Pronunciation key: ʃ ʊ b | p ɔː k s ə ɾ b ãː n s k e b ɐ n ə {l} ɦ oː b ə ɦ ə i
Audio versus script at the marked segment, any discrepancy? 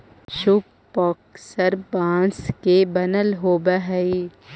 no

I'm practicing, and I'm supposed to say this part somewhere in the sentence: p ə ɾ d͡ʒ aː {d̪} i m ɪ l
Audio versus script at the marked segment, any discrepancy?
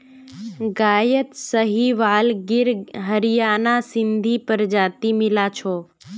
yes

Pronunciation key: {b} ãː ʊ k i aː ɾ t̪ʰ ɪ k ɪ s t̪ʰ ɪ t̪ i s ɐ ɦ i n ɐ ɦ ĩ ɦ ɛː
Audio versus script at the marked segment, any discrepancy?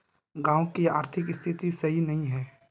yes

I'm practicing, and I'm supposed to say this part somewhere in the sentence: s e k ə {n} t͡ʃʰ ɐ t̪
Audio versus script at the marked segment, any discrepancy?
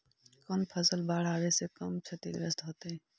yes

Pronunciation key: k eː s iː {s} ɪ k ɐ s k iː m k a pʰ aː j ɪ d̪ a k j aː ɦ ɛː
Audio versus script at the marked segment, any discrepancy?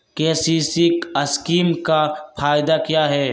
no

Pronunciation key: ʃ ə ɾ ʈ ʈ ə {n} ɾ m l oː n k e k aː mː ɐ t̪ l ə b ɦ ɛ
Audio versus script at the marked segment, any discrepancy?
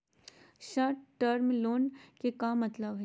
yes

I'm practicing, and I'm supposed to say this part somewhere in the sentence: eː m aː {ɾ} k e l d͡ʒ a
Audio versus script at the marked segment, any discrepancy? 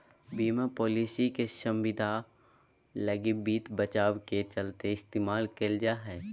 yes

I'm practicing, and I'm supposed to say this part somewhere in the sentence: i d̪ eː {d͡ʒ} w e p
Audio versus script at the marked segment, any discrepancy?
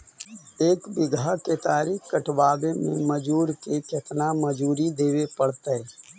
yes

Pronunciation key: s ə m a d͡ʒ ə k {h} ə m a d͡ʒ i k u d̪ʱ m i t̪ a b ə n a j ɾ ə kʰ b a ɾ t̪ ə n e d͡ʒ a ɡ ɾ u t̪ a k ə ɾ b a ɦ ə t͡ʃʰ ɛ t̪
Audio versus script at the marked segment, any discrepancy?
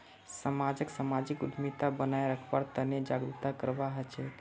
yes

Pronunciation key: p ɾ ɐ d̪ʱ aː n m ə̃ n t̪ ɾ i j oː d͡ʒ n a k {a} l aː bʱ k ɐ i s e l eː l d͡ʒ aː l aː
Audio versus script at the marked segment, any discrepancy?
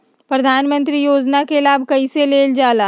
yes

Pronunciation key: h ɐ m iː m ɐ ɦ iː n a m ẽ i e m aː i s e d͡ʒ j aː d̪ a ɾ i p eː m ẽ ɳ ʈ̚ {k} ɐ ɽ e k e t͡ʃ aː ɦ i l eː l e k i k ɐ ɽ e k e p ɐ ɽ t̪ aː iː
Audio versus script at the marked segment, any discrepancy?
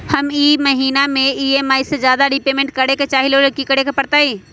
no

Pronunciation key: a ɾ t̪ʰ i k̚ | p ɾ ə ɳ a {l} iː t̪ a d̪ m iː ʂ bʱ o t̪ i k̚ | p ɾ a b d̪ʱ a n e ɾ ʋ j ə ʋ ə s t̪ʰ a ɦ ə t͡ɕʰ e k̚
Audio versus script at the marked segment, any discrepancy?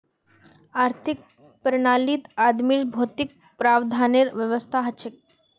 no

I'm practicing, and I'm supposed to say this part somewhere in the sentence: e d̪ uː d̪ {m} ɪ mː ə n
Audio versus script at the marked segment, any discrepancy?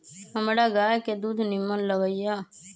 yes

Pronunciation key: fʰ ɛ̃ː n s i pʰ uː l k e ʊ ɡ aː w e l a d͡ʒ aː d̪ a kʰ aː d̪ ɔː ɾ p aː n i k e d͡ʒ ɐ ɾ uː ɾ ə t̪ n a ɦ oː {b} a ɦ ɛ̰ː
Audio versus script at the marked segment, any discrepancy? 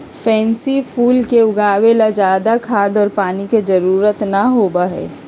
no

